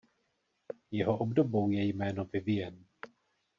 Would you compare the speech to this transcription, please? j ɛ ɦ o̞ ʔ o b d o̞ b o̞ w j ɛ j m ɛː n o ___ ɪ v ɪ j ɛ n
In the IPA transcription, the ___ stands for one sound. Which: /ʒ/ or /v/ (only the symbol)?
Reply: v